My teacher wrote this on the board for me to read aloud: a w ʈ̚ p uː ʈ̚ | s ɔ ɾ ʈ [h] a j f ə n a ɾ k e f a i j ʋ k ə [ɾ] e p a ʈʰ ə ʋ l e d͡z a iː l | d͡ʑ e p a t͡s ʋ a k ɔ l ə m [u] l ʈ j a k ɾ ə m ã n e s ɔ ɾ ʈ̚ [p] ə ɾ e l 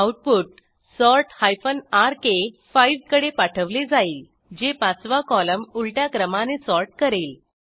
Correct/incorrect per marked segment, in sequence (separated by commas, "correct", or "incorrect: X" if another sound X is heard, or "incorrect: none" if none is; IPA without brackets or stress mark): correct, incorrect: ɽ, correct, incorrect: k